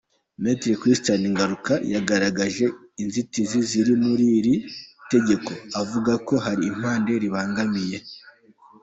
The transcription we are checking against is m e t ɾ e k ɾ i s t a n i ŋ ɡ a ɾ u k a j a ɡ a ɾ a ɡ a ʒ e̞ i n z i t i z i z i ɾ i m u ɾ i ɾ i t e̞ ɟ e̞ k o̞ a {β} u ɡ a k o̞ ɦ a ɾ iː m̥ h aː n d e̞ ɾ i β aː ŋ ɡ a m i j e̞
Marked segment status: incorrect: v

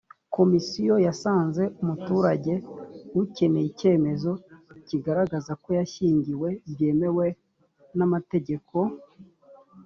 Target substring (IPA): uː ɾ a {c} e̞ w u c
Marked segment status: incorrect: ɟ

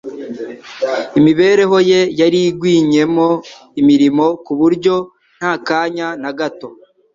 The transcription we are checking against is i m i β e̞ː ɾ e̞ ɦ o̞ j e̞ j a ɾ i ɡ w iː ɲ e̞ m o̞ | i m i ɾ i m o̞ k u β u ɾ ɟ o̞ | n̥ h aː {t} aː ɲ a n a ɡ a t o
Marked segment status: incorrect: k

